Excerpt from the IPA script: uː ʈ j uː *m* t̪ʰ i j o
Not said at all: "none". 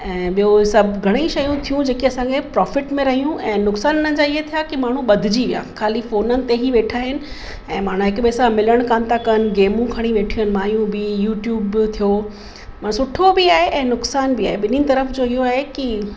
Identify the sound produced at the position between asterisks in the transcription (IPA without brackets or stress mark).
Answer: b